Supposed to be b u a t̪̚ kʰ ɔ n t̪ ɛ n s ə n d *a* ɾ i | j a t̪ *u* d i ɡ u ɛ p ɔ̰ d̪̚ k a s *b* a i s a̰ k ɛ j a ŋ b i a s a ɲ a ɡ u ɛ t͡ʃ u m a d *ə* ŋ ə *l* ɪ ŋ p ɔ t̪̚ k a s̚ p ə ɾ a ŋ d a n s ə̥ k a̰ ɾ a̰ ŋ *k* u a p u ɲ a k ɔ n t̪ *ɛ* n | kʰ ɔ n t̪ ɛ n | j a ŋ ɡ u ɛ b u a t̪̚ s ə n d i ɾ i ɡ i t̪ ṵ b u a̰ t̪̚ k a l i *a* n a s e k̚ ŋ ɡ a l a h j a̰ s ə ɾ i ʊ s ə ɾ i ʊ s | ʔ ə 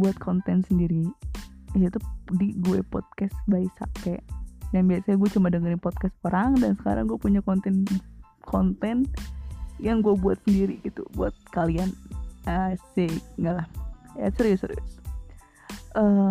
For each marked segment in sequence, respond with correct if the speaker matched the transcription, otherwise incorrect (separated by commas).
incorrect, correct, correct, correct, incorrect, incorrect, correct, correct